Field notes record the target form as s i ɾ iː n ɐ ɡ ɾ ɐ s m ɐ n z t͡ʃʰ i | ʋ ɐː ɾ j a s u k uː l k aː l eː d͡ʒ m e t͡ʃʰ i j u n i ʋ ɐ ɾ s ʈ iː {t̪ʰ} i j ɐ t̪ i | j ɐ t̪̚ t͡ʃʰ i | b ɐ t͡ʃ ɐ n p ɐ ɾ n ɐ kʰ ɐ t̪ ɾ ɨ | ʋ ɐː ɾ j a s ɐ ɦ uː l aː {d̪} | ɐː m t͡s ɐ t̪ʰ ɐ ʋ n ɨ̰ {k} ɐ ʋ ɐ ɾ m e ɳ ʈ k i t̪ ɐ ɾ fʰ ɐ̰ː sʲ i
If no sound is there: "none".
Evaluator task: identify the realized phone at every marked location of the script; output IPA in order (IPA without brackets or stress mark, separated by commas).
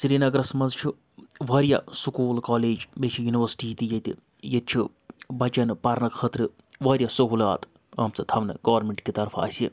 t̪, t̪, ɡ